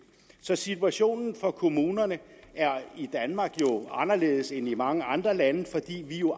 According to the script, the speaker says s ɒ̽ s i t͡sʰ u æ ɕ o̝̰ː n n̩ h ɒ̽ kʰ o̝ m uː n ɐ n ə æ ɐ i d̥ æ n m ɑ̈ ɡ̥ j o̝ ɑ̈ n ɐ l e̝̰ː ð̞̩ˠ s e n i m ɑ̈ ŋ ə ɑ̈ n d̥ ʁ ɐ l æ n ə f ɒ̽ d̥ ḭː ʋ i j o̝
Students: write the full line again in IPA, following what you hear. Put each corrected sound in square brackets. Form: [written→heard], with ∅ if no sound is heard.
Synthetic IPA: s ɒ̽ s i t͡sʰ u æ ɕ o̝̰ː n n̩ [h→f] ɒ̽ kʰ o̝ m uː n ɐ n ə æ ɐ i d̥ æ n m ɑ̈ ɡ̥ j o̝ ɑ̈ n ɐ l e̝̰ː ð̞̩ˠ s e n i m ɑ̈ ŋ ə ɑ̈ n d̥ ʁ ɐ l æ n ə f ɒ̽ d̥ ḭː ʋ i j o̝